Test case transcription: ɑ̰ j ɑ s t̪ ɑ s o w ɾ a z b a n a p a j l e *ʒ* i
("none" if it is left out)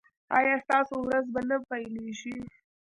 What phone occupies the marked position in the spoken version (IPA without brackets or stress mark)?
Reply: ʃ